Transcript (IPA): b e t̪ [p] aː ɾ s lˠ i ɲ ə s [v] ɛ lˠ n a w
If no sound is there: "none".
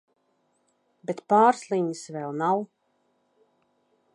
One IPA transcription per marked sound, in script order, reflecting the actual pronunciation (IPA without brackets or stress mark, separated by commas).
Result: p, v